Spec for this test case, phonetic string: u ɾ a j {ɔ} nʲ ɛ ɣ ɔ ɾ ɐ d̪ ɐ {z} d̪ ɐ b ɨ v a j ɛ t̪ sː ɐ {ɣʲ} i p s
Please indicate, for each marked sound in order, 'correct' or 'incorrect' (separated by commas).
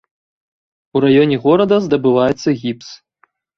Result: correct, correct, correct